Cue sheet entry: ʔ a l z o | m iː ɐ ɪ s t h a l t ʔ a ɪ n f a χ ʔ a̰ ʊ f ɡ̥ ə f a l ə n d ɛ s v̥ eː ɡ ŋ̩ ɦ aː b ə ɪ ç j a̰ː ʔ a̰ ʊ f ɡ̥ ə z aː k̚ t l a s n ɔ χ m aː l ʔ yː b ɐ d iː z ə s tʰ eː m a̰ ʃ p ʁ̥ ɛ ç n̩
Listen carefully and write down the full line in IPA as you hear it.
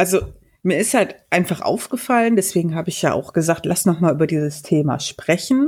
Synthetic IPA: ʔ a l z o | m iː ɐ ɪ s t h a l t ʔ a ɪ n f a χ ʔ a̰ ʊ f ɡ̥ ə f a l ə n d ɛ s v̥ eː ɡ ŋ̩ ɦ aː b ə ɪ ç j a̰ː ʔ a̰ ʊ x ɡ̥ ə z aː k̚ t l a s n ɔ χ m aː l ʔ yː b ɐ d iː z ə s tʰ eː m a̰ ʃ p ʁ̥ ɛ ç n̩